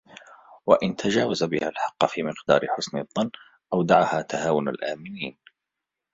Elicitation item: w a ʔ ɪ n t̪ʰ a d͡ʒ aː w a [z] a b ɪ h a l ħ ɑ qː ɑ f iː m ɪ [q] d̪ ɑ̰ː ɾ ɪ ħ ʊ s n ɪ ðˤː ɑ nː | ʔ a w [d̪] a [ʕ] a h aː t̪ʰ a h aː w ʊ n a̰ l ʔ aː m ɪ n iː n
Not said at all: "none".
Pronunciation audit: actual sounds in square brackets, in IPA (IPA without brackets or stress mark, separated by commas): z, q, d̪, ʕ